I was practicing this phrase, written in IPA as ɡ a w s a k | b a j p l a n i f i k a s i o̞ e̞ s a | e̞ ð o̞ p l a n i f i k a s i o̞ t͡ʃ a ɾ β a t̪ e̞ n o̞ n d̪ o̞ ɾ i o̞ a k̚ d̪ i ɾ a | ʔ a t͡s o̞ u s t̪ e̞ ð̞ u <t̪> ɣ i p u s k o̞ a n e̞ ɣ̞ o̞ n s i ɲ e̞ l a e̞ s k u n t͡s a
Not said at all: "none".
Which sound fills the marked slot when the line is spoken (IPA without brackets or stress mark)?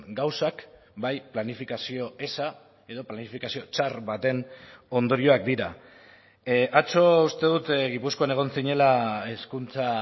t̪